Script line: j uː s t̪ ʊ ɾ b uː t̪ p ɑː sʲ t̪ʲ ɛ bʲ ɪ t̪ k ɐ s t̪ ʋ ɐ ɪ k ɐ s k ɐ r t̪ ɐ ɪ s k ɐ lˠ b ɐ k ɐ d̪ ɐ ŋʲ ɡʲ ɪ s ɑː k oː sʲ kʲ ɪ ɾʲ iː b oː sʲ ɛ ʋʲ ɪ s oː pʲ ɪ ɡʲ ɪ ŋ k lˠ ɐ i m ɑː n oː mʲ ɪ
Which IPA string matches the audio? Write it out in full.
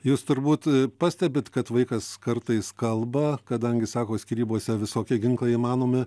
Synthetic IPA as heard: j uː s t̪ ʊ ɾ b uː t̪ p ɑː sʲ t̪ʲ ɛ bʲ ɪ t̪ k ɐ t̪ ʋ ɐ ɪ k ɐ s k ɐ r t̪ ɐ ɪ s k ɐ lˠ b ɐ k ɐ d̪ ɐ ŋʲ ɡʲ ɪ s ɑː k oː sʲ kʲ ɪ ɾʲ iː b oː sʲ ɛ ʋʲ ɪ s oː kʲ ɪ ɡʲ ɪ ŋ k lˠ ɐ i m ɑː n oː mʲ ɪ